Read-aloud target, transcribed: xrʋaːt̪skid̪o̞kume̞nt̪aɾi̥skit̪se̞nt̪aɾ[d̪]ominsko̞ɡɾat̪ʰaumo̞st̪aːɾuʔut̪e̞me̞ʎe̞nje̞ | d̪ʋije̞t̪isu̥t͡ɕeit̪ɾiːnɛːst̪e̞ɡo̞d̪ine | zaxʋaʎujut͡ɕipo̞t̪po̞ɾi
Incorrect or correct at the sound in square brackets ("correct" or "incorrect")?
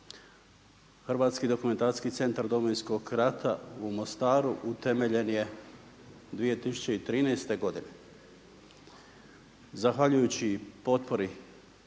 correct